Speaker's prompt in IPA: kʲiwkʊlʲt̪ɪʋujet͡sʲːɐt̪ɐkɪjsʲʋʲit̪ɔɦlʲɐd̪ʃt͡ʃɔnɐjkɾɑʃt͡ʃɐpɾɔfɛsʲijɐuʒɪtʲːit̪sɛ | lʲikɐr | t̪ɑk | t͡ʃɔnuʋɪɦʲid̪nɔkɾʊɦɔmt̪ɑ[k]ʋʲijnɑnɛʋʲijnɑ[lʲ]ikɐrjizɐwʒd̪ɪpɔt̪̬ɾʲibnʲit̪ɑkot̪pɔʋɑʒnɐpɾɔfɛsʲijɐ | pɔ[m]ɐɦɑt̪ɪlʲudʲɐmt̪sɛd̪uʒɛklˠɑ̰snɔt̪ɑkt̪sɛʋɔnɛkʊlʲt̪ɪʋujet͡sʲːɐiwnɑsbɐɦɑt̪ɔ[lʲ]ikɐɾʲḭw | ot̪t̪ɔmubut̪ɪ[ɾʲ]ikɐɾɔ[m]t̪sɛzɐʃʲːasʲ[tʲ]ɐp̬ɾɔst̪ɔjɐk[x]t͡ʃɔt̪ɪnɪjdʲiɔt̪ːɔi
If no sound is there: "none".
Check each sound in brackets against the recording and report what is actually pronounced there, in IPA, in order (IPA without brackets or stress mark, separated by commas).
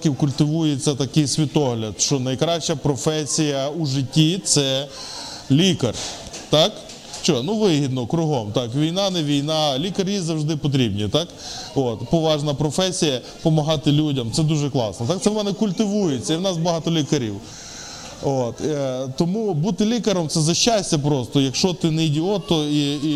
k, lʲ, m, lʲ, lʲ, m, tʲ, ʃ